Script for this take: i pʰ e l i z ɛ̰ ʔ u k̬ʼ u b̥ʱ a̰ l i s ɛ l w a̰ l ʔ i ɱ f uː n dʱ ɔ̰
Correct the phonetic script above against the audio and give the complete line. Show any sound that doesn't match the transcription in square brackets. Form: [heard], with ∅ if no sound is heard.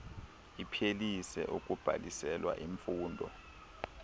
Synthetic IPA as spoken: i pʰ e l i [s] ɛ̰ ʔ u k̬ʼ u b̥ʱ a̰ l i s ɛ l w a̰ [∅] ʔ i ɱ f uː n dʱ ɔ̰

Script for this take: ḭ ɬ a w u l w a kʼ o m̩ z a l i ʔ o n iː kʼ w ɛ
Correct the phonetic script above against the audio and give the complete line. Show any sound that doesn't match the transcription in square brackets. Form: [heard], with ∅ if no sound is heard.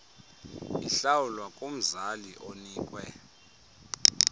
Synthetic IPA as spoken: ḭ ɬ a w u l w a kʼ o m̩ z a l i ʔ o n iː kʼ w ɛ

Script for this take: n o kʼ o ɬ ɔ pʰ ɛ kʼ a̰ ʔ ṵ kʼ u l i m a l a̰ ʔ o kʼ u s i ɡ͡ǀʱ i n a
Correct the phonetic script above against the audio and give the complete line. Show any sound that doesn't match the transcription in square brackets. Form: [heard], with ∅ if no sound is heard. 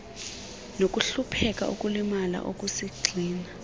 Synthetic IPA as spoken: n o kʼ [u] ɬ [u] pʰ ɛ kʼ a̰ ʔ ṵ kʼ u l i m a l a̰ ʔ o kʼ u s i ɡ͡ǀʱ [iː] n a

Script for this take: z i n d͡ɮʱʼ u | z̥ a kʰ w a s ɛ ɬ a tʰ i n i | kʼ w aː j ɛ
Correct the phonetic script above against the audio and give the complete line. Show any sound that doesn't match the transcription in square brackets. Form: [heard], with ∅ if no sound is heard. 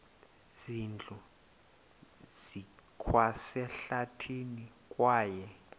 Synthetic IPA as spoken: z i n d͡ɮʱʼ u | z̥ [i] kʰ w a s ɛ ɬ a tʰ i n i | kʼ w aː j ɛ

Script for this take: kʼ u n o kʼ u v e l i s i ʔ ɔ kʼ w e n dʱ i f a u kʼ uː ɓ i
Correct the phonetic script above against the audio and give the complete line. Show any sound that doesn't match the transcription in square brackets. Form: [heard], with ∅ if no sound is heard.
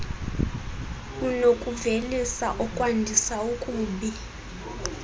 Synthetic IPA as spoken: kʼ u n o kʼ u v e l i s [a] ʔ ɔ kʼ w [a] n dʱ i [s] a u kʼ uː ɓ i

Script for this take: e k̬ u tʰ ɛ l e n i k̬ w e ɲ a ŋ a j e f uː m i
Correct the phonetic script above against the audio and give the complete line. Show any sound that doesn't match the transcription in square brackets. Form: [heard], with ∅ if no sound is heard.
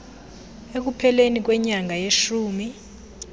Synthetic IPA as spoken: e k̬ u [pʰ] ɛ l e n i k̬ w [ɛ] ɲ a ŋ a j e [ʃ] uː m i

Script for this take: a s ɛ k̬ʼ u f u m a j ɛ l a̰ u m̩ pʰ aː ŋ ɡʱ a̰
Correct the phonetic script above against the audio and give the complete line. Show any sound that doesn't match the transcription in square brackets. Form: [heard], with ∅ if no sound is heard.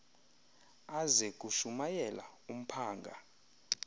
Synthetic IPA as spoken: a [z] ɛ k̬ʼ u [ʃ] u m a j ɛ l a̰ u m̩ pʰ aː ŋ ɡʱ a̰

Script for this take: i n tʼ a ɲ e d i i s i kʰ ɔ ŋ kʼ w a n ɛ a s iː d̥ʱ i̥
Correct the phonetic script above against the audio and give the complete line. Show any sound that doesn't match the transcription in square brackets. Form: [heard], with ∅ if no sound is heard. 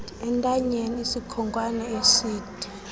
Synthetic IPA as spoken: [ɛ] n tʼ a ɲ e [n] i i s i kʰ ɔ ŋ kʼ w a n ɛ [e] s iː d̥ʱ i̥

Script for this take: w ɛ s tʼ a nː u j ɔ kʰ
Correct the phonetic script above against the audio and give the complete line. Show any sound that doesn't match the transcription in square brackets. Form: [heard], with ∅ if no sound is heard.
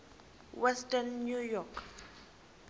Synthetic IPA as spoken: w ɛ s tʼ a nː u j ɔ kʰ

